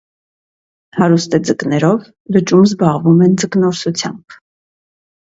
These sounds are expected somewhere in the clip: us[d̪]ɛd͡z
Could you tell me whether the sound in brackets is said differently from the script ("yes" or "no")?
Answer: yes